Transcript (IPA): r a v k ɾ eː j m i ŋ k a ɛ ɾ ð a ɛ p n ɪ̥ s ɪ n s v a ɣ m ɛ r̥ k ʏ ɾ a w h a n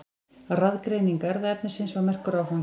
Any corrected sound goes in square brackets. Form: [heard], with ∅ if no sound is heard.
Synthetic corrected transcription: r a [ð] k ɾ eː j [n] i ŋ k a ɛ ɾ ð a ɛ p n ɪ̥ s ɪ n s v a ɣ m ɛ r̥ k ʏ ɾ a w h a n